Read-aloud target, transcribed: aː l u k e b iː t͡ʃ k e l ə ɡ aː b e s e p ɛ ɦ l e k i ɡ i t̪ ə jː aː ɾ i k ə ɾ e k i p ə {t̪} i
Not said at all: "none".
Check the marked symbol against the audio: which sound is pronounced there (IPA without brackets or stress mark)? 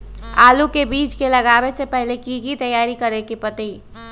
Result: t̪